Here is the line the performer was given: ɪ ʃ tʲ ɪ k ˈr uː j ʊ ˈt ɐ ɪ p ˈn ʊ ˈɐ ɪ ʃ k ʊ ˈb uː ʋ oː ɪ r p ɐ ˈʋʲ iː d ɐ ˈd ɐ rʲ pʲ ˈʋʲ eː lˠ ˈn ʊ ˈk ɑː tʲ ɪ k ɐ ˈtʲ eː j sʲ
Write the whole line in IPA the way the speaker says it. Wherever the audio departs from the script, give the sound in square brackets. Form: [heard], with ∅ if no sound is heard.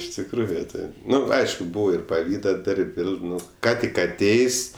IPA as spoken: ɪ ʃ tʲ ɪ k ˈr uː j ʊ ˈt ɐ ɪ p ˈn ʊ ˈɐ ɪ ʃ k ʊ ˈb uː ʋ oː ɪ r p ɐ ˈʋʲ iː d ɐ ˈd ɐ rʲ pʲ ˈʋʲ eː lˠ ˈn ʊ ˈk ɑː tʲ ɪ k ɐ ˈtʲ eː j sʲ